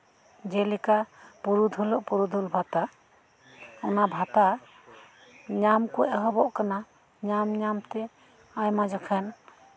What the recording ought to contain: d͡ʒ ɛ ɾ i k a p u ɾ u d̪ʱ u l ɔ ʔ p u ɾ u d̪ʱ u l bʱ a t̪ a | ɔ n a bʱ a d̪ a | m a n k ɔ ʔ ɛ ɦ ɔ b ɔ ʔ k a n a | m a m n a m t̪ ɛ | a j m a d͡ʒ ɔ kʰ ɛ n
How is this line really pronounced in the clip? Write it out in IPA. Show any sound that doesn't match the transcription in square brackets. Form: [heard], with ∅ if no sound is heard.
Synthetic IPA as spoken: d͡ʒ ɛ [l] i k a p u ɾ u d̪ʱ u l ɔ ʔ p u ɾ u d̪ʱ u l bʱ a t̪ a | ɔ n a bʱ a [t̪] a | [ɲ] a [m] k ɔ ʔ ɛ ɦ ɔ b ɔ ʔ k a n a | [ɲ] a m [ɲ] a m t̪ ɛ | a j m a d͡ʒ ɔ kʰ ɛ n